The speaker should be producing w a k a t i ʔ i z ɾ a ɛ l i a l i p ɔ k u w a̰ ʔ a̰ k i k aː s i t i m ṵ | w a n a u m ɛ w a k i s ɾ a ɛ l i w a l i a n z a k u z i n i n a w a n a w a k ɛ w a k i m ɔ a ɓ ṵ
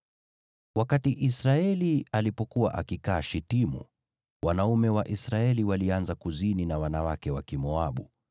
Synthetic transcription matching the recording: w a k a t i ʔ i s ɾ a ɛ l i a l i p ɔ k u w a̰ ʔ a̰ k i k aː ʃ i t i m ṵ | w a n a u m ɛ w a ʔ i s ɾ a ɛ l i w a l i a n z a k u z i n i n a w a n a w a k ɛ w a k i m ɔ a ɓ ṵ

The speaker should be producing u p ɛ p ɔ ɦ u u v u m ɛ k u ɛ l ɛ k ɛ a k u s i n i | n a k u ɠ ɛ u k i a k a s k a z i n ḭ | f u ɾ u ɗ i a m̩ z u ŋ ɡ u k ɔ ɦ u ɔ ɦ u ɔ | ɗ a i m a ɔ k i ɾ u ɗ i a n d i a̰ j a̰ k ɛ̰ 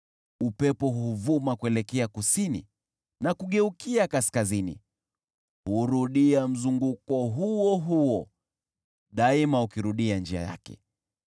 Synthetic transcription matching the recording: u p ɛ p ɔ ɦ u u v u m a k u ɛ l ɛ k ɛ a k u s i n i | n a k u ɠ ɛ u k i a k a s k a z i n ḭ | h u ɾ u ɗ i a m̩ z u ŋ ɡ u k ɔ ɦ u ɔ ɦ u ɔ | ɗ a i m a u k i ɾ u ɗ i a n d͡ʒ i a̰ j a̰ k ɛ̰

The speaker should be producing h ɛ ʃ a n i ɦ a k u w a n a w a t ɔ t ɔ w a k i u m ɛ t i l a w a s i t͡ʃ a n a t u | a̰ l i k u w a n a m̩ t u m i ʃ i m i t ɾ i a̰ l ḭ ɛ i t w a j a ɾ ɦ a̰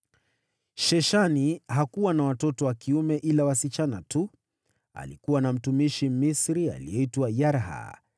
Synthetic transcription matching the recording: ʃ ɛ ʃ a n i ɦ a k u w a n a w a t ɔ t ɔ w a k i u m ɛ ʔ i l a w a s i t͡ʃ a n a t u | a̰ l i k u w a n a m̩ t u m i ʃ i m i s ɾ i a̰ l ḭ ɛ i t w a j a ɾ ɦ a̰

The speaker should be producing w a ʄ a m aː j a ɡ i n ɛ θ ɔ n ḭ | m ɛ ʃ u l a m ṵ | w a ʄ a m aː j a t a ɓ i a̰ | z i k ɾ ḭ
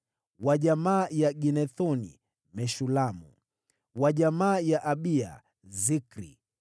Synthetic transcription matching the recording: w a ʄ a m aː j a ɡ i n ɛ θ ɔ n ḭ | m ɛ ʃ u l a m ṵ | w a ʄ a m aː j a ʔ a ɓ i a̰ | z i k ɾ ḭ

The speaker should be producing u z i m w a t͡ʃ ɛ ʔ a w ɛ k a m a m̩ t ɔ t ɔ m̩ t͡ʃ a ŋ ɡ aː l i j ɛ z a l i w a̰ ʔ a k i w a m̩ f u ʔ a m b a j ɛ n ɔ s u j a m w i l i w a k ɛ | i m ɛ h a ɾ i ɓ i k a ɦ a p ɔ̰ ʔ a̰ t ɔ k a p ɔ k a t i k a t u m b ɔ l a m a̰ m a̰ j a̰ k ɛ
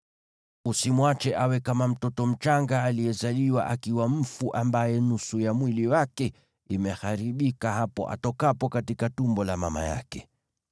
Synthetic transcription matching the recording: u s i m w a t͡ʃ ɛ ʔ a w ɛ k a m a m̩ t ɔ t ɔ m̩ t͡ʃ a ŋ ɡ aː l i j ɛ z a l i w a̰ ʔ a k i w a m̩ f u ʔ a m b a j ɛ n u s u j a m w i l i w a k ɛ | i m ɛ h a ɾ i ɓ i k a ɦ a p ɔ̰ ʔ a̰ t ɔ k a p ɔ k a t i k a t u m b ɔ l a m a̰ m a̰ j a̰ k ɛ

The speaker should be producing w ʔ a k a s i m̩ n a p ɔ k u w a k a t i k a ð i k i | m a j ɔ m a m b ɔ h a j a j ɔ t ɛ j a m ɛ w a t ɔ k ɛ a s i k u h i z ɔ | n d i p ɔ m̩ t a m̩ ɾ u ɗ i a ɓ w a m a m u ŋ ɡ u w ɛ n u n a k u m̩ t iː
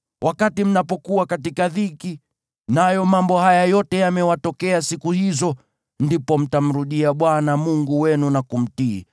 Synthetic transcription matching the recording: w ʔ a k a t i m̩ n a p ɔ k u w a k a t i k a ð i k i | n a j ɔ m a m b ɔ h a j a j ɔ t ɛ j a m ɛ w a t ɔ k ɛ a s i k u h i z ɔ | n d i p ɔ m̩ t a m̩ ɾ u ɗ i a ɓ w a n a m u ŋ ɡ u w ɛ n u n a k u m̩ t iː

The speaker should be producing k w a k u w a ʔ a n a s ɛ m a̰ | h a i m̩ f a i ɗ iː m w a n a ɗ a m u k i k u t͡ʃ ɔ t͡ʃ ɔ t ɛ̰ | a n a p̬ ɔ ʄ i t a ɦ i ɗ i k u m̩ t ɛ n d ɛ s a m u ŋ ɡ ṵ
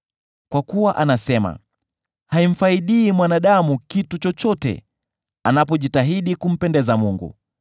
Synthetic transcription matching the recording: k w a k u w a ʔ a n a s ɛ m a̰ | h a i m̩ f a i ɗ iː m w a n a ɗ a m u k i t u t͡ʃ ɔ t͡ʃ ɔ t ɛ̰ | a n a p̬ ɔ ʄ i t a ɦ i ɗ i k u m̩ p ɛ n d ɛ z a m u ŋ ɡ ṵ

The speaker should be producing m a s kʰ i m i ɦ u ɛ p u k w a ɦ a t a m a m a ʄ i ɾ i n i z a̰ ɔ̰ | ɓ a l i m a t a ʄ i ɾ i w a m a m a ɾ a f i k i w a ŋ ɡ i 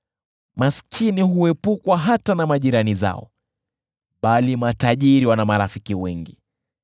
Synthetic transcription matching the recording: m a s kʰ i n i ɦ u ɛ p u k w a ɦ a t a n a m a ʄ i ɾ a n i z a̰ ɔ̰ | ɓ a l i m a t a ʄ i ɾ i w a n a m a ɾ a f i k i w ɛ ŋ ɡ i

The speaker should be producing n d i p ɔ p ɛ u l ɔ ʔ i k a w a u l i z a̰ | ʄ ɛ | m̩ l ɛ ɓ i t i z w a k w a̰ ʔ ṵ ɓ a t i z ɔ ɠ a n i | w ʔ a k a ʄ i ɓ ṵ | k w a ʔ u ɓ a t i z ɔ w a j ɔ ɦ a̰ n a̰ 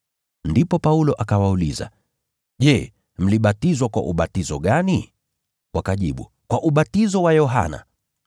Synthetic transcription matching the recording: n d i p ɔ p a u l ɔ ʔ a k a w a u l i z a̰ | ʄ ɛ | m̩ l i ɓ a t i z w a k w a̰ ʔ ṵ ɓ a t i z ɔ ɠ a n i | w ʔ a k a ʄ i ɓ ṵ | k w a ʔ u ɓ a t i z ɔ w a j ɔ ɦ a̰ n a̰

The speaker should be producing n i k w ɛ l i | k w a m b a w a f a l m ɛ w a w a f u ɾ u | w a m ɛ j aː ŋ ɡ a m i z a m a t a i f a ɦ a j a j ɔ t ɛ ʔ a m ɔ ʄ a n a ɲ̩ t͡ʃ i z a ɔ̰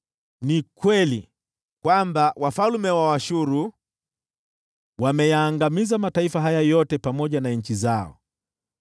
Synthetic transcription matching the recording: n i k w ɛ l i | k w a m b a w a f a l m ɛ w a w a ʃ u ɾ u | w a m ɛ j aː ŋ ɡ a m i z a m a t a i f a ɦ a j a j ɔ t ɛ p a m ɔ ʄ a n a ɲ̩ t͡ʃ i z a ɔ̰

